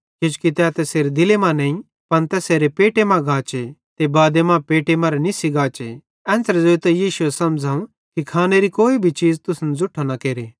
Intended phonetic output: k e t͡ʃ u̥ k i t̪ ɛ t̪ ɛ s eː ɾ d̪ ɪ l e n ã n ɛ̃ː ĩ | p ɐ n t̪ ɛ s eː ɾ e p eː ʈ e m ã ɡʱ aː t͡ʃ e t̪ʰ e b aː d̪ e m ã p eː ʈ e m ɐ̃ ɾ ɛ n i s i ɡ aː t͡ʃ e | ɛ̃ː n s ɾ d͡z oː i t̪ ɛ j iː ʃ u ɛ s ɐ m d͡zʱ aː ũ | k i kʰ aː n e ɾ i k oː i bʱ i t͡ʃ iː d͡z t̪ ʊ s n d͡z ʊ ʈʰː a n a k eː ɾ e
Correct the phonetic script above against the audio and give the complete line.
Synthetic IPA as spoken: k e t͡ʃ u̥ k i t̪ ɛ t̪ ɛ s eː ɾ d̪ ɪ l e m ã n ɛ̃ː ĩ | p ɐ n t̪ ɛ s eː ɾ e p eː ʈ e m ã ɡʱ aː t͡ʃ e t̪ e b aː d̪ e m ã p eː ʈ e m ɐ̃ ɾ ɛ n i s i ɡ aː t͡ʃ e | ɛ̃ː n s ɾ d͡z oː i t̪ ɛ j iː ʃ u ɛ s ɐ m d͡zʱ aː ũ | k i kʰ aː n e ɾ i k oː i bʱ i t͡ʃ iː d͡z t̪ ʊ s n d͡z ʊ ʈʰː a n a k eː ɾ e